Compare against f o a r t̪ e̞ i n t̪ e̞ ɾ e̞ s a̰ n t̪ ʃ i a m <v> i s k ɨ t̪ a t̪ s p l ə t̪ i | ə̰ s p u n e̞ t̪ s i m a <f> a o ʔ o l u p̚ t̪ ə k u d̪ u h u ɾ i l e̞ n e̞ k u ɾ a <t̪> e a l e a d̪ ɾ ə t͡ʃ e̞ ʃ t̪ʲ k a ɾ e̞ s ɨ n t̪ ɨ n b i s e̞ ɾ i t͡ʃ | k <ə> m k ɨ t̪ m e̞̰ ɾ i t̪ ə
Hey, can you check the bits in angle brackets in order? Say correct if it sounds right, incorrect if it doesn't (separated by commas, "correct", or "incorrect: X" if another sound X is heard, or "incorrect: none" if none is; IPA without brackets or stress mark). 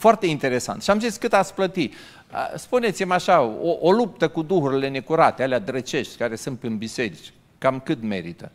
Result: incorrect: z, incorrect: ʃ, correct, incorrect: a